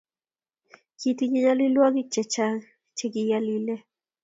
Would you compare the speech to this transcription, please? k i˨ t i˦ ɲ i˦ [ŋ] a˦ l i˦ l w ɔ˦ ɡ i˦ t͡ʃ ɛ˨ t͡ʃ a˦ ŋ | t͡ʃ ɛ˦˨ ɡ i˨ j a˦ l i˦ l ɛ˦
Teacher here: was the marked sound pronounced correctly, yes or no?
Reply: no